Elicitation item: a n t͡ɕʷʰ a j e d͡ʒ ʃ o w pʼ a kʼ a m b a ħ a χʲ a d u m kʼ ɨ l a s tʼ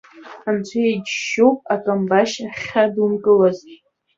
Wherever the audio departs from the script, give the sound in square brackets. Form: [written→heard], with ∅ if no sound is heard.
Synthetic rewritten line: a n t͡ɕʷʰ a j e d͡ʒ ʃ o w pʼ a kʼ a m b a [ħ→ʃ] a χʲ a d u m kʼ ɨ l a [s→z] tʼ